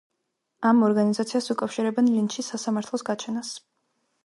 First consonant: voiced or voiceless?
voiced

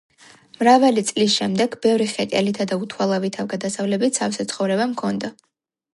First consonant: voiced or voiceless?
voiced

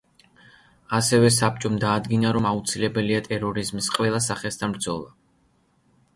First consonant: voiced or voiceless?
voiceless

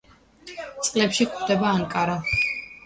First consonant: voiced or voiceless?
voiceless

